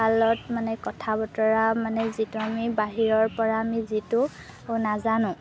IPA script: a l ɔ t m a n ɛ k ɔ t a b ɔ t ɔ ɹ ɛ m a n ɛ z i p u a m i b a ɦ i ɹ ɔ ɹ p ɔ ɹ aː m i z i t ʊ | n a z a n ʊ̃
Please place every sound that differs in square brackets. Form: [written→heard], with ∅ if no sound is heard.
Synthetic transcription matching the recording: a l ɔ t m a n ɛ k ɔ [t→tʰ] a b ɔ t ɔ ɹ [ɛ→a] m a n ɛ z i [p→t] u a m i b a ɦ i ɹ ɔ ɹ p ɔ ɹ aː m i z i t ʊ | n a z a n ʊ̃